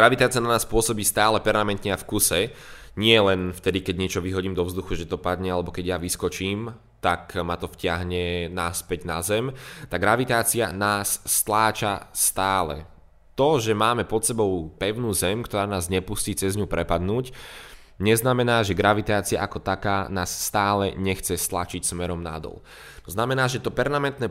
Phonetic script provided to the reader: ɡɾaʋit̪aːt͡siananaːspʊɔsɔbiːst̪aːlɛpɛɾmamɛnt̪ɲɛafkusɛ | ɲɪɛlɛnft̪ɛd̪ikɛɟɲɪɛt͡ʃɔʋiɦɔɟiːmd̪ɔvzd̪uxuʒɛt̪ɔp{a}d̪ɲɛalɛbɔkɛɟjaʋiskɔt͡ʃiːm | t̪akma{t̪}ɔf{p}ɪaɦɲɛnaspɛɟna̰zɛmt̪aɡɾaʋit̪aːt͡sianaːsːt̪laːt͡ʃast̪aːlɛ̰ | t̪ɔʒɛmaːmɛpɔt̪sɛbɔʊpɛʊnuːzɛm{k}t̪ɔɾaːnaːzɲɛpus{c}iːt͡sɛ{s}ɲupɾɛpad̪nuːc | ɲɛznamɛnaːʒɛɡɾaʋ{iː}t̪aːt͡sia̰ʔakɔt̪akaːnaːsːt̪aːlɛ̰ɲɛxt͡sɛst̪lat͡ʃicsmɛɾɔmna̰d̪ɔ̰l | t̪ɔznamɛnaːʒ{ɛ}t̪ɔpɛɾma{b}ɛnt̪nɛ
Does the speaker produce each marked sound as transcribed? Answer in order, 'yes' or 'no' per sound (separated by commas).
yes, yes, no, yes, yes, no, no, yes, no